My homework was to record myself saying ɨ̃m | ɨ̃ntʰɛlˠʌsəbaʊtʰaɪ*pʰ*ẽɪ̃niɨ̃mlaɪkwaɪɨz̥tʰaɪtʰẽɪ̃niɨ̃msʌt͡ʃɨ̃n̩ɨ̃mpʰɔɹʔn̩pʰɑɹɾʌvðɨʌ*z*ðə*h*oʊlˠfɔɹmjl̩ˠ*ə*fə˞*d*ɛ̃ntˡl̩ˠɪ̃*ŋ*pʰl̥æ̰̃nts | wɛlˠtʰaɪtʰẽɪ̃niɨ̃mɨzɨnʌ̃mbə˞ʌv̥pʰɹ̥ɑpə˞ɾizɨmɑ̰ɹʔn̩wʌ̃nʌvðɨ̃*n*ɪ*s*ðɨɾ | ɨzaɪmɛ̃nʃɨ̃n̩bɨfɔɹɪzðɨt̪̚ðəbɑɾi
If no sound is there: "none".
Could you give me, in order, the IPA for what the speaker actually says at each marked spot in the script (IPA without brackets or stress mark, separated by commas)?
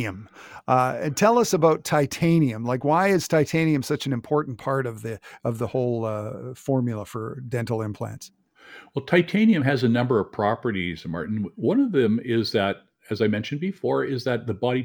tʰ, v, h, ə, d, m, m, z